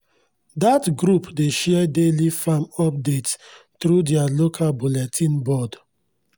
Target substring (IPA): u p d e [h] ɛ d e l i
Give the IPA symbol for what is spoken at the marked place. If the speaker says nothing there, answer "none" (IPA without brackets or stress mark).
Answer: ʃ